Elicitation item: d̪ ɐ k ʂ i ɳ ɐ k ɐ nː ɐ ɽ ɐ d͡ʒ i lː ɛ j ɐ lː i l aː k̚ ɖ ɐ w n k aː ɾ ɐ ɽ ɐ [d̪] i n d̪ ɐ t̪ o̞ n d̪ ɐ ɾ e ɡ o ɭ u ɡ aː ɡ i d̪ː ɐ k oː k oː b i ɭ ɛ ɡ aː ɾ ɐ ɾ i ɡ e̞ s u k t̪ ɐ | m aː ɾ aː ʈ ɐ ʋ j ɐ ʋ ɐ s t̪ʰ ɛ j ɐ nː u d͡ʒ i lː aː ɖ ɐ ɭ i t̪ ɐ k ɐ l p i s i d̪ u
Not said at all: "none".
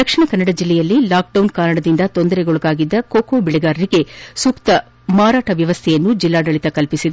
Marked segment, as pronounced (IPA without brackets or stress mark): d̪